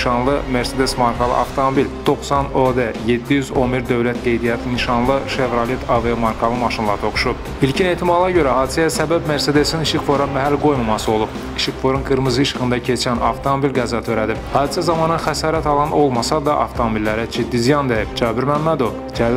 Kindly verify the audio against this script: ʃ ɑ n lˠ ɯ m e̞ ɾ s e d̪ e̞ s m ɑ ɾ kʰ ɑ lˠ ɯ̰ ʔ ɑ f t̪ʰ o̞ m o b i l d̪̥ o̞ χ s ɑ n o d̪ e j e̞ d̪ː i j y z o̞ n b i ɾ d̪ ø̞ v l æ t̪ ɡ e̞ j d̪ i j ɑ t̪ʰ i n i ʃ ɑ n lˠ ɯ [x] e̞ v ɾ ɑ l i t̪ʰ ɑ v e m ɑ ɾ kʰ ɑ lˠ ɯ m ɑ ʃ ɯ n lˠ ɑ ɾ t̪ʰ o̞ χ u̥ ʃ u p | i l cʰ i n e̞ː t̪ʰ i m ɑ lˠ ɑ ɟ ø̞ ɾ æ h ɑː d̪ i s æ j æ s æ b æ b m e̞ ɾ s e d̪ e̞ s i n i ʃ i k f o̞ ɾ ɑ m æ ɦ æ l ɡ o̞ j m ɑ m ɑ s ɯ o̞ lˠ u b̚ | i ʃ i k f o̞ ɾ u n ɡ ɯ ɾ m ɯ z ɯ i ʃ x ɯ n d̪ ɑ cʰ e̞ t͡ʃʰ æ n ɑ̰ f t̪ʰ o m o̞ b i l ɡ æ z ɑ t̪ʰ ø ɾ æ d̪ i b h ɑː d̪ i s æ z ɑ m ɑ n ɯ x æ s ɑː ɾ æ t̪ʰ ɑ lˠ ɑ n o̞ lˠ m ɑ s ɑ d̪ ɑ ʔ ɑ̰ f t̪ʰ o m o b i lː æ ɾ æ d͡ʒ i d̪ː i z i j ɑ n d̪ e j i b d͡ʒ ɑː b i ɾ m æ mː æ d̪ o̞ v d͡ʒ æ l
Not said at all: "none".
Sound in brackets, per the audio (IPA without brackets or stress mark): ʃ